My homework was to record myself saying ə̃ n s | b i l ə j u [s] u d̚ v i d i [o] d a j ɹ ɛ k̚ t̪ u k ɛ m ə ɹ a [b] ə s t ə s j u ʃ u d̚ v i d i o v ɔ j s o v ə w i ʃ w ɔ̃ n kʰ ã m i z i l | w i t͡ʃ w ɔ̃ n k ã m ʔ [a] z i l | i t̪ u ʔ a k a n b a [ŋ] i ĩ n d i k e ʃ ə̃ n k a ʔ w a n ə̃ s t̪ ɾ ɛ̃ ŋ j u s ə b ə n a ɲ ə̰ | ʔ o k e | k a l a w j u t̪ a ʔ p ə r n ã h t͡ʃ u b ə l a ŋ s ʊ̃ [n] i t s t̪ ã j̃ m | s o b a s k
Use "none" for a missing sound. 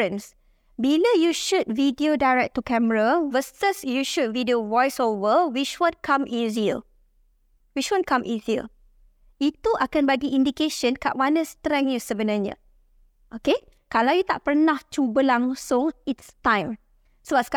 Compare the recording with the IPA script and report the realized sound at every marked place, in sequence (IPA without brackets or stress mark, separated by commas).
ʃ, o, v, i, ɡ, ŋ